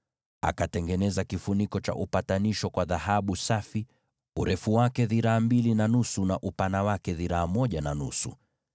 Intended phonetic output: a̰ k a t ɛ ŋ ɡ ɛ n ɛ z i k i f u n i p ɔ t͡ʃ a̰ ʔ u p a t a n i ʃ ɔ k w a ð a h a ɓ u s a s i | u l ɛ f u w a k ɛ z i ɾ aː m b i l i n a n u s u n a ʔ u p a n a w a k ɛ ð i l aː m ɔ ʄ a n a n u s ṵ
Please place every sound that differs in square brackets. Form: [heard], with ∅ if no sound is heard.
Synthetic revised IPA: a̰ k a t ɛ ŋ ɡ ɛ n ɛ z [a] k i f u n i [k] ɔ t͡ʃ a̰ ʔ u p a t a n i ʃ ɔ k w a ð a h a ɓ u s a [f] i | u [ɾ] ɛ f u w a k ɛ [ð] i ɾ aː m b i l i n a n u s u n a ʔ u p a n a w a k ɛ ð i [ɾ] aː m ɔ ʄ a n a n u s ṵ